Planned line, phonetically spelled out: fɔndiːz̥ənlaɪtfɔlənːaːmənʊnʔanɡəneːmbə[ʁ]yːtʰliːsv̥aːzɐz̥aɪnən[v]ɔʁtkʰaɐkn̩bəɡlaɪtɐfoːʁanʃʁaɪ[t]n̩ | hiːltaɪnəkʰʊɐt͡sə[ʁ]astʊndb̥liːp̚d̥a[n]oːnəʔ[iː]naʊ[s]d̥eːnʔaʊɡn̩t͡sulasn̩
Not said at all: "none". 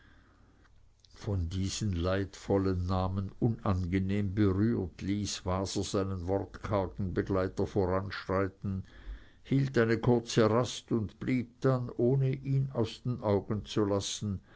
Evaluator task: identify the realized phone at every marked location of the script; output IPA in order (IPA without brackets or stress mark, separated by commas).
ʁ, v, t, ʁ, n, iː, s